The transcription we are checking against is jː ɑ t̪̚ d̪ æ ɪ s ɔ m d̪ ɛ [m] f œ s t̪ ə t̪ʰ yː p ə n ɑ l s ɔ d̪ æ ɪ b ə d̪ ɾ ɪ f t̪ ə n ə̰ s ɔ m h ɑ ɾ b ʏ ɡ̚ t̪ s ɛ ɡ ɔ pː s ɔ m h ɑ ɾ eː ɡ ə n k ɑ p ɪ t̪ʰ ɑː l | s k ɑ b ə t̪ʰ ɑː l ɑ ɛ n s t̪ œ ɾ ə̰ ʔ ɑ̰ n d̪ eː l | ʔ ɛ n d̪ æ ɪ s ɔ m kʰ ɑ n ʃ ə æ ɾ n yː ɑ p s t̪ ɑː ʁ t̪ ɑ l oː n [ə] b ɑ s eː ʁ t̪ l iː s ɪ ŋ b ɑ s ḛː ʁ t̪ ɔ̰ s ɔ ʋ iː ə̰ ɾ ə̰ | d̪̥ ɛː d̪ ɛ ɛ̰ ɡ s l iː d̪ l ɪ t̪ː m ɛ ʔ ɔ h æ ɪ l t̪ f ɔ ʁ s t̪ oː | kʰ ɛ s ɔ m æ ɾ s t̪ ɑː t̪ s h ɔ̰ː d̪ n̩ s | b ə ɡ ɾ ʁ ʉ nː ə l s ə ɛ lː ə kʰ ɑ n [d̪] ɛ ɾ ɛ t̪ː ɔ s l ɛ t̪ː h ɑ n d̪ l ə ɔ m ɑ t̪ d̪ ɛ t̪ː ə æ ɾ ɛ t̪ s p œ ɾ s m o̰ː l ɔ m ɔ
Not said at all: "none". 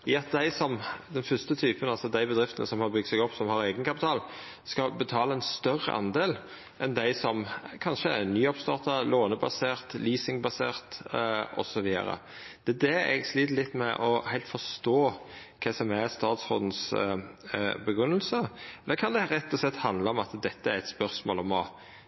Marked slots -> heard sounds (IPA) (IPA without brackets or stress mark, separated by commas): n, ə, d̪